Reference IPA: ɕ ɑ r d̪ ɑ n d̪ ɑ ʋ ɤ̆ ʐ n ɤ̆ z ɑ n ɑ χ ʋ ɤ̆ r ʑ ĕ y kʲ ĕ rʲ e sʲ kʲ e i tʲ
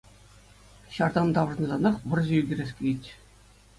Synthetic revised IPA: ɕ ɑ r d̪ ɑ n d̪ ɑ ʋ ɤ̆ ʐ n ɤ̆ z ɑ n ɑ χ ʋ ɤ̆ r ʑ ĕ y ɡʲ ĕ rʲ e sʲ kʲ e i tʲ